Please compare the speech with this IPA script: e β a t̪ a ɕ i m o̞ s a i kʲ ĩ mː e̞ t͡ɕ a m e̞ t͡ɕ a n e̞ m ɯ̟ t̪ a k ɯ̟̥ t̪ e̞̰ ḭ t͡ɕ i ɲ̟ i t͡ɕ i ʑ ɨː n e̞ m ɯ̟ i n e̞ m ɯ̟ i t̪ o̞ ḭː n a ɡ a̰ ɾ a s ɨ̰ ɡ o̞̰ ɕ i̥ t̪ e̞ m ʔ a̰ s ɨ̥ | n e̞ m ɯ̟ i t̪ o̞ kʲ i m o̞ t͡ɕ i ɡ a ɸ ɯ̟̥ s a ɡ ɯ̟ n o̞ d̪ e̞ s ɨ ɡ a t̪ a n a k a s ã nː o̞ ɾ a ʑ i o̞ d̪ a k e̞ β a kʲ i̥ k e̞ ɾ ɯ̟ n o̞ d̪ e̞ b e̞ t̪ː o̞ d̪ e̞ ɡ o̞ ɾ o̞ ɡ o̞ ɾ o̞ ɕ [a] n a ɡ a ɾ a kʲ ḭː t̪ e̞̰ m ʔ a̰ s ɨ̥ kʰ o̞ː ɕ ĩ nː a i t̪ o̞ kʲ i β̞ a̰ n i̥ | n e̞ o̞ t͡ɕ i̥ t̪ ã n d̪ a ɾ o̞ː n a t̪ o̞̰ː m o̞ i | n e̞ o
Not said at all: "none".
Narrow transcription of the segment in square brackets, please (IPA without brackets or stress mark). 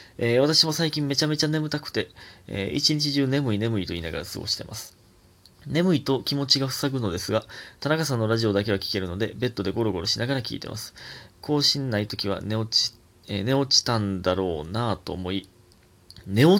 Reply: i